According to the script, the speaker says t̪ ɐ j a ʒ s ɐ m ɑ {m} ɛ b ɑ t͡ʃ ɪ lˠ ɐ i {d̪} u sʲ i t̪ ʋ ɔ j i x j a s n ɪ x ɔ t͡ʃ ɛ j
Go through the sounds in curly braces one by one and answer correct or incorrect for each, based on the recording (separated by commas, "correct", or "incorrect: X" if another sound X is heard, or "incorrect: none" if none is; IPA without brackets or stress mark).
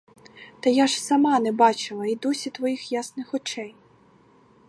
incorrect: n, correct